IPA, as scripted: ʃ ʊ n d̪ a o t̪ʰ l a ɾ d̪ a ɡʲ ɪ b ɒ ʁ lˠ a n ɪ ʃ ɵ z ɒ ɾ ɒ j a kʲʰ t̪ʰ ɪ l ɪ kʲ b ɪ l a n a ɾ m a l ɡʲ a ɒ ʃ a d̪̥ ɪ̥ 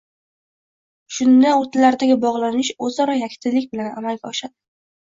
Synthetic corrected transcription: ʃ ʊ n d̪ a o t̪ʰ l a ɾ d̪ a ɡʲ ɪ b ɒ ʁ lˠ a n ɪ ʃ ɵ z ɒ ɾ ɒ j a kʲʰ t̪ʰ ɪ l ɪ kʲ b ɪ l a n a m a l ɡʲ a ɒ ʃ a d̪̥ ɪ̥